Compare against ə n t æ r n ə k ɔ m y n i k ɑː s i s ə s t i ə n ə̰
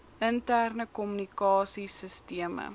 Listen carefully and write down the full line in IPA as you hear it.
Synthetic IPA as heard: ə n t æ r n ə k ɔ m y n i k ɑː s i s ə s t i ə m ə̰